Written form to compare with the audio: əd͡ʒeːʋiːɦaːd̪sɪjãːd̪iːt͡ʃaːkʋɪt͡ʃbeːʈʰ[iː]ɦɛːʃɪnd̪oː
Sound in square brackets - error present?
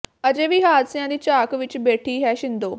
no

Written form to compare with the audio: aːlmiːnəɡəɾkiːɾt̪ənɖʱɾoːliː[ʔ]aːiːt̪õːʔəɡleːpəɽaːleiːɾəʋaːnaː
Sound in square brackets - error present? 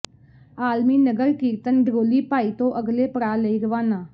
yes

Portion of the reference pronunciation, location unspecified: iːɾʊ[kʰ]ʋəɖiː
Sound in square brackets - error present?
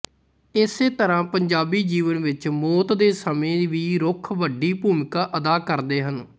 no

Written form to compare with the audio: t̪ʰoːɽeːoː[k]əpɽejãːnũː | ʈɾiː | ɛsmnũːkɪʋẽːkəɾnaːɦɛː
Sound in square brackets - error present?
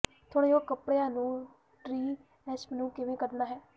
no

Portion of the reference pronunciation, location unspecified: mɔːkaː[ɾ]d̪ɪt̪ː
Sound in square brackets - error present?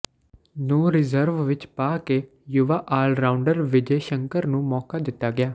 yes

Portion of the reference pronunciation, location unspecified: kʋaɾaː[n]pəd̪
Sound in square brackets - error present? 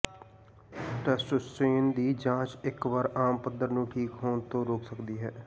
yes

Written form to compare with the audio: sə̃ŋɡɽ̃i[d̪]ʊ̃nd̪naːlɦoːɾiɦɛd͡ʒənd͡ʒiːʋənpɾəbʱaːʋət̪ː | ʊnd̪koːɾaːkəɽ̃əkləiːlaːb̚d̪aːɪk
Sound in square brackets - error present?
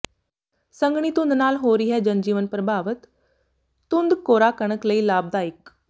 yes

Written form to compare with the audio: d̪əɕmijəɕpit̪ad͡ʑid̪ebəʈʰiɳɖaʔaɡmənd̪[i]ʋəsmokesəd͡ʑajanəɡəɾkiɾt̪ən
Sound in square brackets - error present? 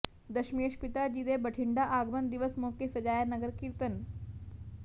no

